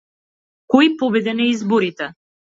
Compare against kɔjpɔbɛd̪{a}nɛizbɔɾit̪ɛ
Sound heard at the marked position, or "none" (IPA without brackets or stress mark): ɛ